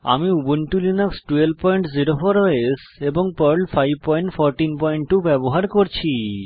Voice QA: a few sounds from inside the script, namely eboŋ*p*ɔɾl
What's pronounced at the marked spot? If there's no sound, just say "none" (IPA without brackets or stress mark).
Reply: p